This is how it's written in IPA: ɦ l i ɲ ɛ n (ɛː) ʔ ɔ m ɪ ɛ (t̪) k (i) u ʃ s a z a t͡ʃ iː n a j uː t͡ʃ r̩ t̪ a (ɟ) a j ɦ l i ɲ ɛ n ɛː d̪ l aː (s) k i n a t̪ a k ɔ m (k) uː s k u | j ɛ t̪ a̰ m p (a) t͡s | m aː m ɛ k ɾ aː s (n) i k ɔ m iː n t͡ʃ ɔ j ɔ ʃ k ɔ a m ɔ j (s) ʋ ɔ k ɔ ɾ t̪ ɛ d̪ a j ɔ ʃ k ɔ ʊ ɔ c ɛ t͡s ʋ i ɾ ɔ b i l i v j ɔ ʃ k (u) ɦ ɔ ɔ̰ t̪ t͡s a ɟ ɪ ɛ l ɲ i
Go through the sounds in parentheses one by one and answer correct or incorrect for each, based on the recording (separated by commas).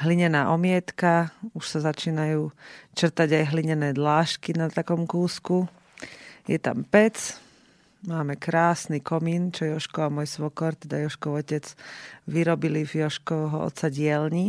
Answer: incorrect, correct, incorrect, correct, incorrect, correct, incorrect, correct, correct, incorrect